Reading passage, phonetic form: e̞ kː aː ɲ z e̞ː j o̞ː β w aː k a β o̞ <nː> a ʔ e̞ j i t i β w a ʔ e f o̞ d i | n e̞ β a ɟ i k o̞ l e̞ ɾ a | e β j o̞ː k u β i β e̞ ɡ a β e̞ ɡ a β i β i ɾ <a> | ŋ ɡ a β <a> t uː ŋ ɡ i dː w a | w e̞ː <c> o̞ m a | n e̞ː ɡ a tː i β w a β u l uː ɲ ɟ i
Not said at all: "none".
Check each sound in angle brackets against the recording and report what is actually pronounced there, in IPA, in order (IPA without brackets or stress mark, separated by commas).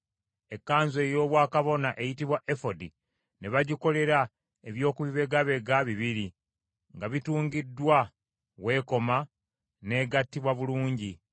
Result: n, i, i, k